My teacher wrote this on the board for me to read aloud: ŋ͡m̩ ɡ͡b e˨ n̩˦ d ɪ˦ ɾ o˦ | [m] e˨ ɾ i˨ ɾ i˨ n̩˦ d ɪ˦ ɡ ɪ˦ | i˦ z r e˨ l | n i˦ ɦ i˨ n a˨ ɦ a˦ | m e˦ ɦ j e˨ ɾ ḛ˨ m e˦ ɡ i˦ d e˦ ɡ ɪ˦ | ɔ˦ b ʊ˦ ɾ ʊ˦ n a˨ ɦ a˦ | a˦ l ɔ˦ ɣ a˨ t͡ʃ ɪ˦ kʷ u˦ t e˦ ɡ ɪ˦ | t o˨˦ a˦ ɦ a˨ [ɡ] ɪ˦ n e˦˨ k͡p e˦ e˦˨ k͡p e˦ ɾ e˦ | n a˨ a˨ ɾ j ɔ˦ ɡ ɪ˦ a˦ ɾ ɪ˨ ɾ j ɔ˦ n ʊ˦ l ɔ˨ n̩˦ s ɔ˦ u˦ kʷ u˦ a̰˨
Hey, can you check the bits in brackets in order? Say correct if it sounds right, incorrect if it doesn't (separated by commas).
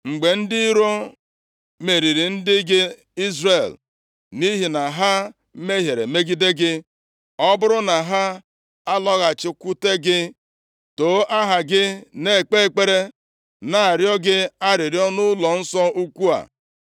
correct, correct